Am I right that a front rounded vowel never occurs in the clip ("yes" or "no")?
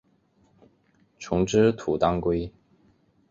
yes